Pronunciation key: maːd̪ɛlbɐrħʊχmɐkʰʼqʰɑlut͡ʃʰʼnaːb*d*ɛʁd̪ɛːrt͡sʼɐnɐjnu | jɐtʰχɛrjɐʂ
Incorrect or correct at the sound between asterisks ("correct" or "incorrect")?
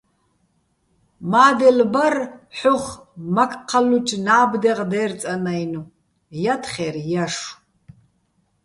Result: correct